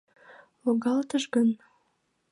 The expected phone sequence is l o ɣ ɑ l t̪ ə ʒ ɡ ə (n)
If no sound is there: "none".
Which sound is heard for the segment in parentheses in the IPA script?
n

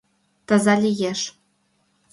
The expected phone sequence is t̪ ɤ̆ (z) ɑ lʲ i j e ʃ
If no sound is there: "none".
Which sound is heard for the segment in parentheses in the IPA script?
z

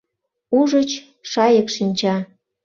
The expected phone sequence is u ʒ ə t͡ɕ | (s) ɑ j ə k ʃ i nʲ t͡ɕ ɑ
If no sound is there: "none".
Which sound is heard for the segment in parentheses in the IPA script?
ʃ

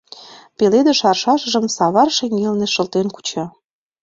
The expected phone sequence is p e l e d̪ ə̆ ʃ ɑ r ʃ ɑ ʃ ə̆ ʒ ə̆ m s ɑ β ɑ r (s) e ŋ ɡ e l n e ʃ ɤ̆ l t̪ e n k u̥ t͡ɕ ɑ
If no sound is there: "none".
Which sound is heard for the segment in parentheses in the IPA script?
ʃ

